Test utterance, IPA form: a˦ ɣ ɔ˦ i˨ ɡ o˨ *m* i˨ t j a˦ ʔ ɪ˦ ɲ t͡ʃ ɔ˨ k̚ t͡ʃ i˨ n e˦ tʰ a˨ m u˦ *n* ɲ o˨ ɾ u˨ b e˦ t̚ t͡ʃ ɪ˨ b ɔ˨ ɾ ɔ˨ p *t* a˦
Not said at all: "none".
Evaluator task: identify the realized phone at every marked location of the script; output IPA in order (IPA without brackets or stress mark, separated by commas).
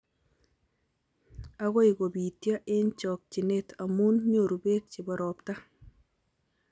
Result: b, n, t